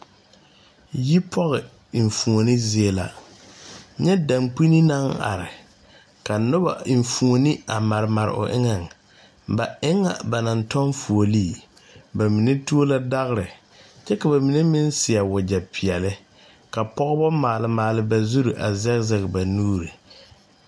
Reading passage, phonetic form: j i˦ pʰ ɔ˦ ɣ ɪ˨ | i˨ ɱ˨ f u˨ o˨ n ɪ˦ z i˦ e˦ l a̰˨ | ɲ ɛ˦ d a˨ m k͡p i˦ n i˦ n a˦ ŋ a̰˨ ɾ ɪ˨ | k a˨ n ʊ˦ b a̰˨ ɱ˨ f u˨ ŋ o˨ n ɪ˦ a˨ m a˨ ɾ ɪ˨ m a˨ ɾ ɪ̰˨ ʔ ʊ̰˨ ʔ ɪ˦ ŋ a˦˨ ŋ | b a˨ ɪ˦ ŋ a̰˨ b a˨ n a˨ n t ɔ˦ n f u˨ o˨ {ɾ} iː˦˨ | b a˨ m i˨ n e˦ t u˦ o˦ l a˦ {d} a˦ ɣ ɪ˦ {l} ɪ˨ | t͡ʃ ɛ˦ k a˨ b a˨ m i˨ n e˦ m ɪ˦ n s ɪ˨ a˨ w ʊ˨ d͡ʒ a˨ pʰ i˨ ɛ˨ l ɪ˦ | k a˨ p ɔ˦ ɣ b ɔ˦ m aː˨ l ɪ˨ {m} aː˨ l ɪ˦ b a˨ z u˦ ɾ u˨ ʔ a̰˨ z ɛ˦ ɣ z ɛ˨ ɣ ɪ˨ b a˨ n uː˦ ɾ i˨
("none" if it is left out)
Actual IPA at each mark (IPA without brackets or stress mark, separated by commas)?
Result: l, d, ɾ, m